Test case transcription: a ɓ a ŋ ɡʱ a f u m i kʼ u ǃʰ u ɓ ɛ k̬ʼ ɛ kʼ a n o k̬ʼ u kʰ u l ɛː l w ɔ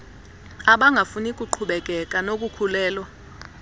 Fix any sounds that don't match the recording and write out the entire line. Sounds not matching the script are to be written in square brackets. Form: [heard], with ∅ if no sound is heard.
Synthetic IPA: a ɓ a ŋ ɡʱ a f u [n] i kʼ u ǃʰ u ɓ ɛ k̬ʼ ɛ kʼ a n o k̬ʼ u kʰ u l ɛː l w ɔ